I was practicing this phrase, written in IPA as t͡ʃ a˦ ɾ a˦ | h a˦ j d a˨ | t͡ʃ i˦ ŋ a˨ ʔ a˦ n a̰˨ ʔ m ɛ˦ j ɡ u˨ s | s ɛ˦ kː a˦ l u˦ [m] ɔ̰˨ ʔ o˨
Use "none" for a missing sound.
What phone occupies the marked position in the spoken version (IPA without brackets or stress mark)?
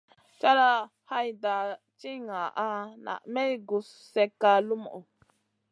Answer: m